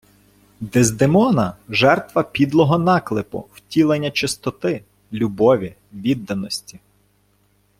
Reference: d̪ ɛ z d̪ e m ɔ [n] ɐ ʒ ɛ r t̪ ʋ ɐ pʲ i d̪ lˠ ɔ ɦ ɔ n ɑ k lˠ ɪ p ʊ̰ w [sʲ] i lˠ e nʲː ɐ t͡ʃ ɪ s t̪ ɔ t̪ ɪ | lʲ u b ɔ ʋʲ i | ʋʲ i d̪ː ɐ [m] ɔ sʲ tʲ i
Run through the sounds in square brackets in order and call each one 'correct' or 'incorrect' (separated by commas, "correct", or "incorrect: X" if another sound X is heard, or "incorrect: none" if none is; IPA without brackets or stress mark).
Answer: correct, incorrect: tʲ, incorrect: n